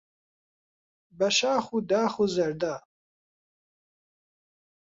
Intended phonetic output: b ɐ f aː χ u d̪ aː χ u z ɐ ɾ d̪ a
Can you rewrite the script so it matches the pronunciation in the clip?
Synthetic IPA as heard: b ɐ ʃ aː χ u d̪ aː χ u z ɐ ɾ d̪ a